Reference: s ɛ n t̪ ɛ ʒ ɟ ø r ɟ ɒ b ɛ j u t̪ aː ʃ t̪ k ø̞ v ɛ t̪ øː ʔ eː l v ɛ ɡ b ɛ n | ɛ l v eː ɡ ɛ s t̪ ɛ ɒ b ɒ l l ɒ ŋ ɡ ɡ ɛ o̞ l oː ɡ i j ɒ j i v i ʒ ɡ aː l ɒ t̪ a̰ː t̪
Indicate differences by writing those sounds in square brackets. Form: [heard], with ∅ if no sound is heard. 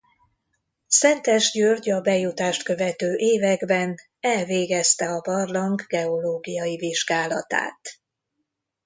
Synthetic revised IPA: s ɛ n t̪ ɛ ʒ ɟ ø r ɟ ɒ b ɛ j u t̪ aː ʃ t̪ k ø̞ v ɛ t̪ øː ʔ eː [∅] v ɛ ɡ b ɛ n | ɛ l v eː ɡ ɛ s t̪ ɛ ɒ b ɒ [r] l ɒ ŋ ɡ ɡ ɛ o̞ l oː ɡ i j ɒ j i v i ʒ ɡ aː l ɒ t̪ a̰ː t̪